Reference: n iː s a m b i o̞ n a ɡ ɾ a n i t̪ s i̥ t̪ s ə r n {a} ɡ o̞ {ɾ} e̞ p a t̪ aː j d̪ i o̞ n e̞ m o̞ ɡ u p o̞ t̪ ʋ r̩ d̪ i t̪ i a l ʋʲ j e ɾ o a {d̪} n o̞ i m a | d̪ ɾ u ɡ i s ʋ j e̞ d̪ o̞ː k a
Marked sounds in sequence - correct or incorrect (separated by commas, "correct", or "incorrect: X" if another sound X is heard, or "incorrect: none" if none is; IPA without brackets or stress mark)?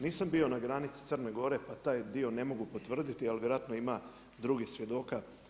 incorrect: e, correct, incorrect: t̪